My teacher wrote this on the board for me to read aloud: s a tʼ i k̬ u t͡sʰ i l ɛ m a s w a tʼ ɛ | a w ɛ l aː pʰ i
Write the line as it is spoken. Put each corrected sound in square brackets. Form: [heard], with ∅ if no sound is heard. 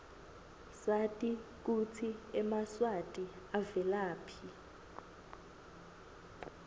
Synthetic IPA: s a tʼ i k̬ u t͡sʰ i [∅] ɛ m a s w a tʼ [i] | a [v] ɛ l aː pʰ i